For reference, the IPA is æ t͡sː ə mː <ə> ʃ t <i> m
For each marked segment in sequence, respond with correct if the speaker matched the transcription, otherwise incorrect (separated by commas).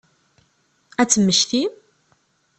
correct, correct